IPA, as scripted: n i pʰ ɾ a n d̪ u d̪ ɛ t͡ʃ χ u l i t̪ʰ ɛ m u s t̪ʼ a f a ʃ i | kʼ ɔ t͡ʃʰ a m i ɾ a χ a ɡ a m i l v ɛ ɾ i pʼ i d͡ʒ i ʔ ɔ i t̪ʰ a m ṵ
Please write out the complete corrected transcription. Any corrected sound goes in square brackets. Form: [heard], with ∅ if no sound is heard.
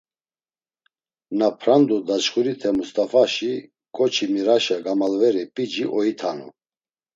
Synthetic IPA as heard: n [a] pʰ ɾ a n d̪ u d̪ [a] t͡ʃ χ u [ɾ] i t̪ʰ ɛ m u s t̪ʼ a f a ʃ i | kʼ ɔ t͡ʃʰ [i] m i ɾ a [ʃ] a ɡ a m [a] l v ɛ ɾ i pʼ i d͡ʒ i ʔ ɔ i t̪ʰ a [n] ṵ